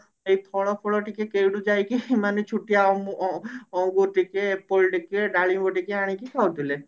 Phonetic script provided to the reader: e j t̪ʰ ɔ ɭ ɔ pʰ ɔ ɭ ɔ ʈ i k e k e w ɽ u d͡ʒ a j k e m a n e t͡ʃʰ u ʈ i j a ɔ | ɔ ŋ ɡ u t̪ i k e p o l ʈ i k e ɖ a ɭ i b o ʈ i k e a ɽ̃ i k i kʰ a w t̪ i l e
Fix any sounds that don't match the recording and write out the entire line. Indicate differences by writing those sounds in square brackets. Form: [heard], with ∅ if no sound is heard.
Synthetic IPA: e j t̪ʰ ɔ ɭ ɔ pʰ ɔ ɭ ɔ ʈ i k e k e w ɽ u d͡ʒ a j k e m a n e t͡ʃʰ u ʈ i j a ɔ | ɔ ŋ ɡ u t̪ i k e p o l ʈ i k e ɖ a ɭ i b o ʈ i k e a ɽ̃ i k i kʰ a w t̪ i l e